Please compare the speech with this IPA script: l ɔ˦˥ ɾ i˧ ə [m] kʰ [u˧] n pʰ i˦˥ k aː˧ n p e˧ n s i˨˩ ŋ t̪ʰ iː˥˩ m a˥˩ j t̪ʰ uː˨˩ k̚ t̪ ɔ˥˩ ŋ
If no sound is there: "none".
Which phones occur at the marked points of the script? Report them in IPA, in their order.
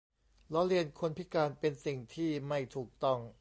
n, o˧

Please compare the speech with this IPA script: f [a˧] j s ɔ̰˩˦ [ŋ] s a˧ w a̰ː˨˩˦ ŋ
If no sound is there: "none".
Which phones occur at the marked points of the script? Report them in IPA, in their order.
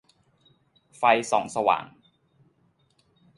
a˧, ŋ

